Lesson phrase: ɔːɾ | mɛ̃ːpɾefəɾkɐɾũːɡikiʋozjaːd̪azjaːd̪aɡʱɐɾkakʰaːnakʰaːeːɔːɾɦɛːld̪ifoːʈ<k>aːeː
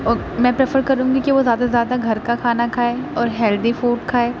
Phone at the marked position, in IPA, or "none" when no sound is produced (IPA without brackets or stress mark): kʰ